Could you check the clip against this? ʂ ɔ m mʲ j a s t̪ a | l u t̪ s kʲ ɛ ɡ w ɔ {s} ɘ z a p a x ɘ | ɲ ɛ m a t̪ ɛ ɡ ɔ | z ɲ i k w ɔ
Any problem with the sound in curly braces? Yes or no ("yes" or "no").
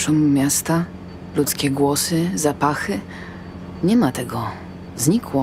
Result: no